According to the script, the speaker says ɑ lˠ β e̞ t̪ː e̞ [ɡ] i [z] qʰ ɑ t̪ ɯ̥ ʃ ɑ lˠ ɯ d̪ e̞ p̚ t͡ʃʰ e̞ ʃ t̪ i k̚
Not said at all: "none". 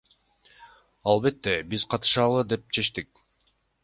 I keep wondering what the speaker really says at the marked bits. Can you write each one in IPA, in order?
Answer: b, z

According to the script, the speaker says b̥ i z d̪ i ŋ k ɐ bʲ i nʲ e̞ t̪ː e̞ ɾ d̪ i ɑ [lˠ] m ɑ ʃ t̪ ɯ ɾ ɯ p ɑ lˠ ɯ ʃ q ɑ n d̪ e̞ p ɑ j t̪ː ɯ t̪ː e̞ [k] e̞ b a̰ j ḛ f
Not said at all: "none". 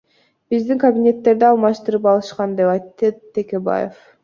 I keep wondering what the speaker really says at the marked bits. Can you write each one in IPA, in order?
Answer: lˠ, k

